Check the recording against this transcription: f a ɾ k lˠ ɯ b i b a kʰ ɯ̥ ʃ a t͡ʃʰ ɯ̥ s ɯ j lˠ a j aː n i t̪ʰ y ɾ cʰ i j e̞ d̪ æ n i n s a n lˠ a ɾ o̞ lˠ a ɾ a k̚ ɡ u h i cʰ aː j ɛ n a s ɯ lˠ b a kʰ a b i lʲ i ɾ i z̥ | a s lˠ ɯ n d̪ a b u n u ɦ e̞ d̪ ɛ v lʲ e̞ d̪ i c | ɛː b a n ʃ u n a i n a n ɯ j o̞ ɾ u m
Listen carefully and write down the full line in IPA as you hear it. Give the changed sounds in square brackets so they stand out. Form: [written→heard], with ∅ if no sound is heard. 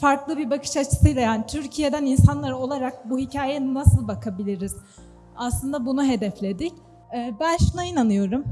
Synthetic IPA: f a ɾ k lˠ ɯ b i b a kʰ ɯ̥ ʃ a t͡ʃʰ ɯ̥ s ɯ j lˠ a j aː n i t̪ʰ y ɾ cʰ i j e̞ d̪ æ n i n s a n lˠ a ɾ o̞ lˠ a ɾ a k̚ [ɡ→b] u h i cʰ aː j ɛ n a s ɯ lˠ b a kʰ a b i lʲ i ɾ i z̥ | a s lˠ ɯ n d̪ a b u n u ɦ e̞ d̪ ɛ [v→f] lʲ e̞ d̪ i c | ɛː b [a→æ] n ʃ u n a i n a n ɯ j o̞ ɾ u m

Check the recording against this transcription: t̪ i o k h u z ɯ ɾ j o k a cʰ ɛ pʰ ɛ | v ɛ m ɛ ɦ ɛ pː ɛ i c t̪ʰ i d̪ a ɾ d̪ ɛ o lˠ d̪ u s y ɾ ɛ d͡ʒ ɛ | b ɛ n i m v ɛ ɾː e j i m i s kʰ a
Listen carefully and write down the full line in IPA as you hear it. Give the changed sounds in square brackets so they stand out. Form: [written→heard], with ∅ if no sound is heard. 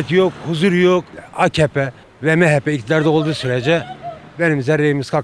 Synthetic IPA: t̪ [i→j] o k h u z [ɯ→u] ɾ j o k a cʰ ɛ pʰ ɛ | v ɛ m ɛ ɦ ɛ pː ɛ i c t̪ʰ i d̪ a ɾ d̪ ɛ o lˠ d̪ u s y ɾ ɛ d͡ʒ ɛ | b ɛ n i m [v→z] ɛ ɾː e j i m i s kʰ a

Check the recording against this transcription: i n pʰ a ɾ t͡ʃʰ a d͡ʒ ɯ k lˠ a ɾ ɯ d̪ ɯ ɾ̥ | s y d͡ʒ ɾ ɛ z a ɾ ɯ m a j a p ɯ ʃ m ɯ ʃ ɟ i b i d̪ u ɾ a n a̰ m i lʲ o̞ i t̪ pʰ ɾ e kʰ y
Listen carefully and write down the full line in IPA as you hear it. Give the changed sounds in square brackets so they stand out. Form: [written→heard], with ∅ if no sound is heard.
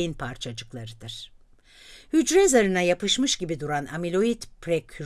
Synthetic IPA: i n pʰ a ɾ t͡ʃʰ a d͡ʒ ɯ k lˠ a ɾ ɯ d̪ ɯ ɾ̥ | [s→h] y d͡ʒ ɾ ɛ z a ɾ ɯ [m→n] a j a p ɯ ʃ m ɯ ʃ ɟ i b i d̪ u ɾ a n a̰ m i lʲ o̞ i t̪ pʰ ɾ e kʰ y

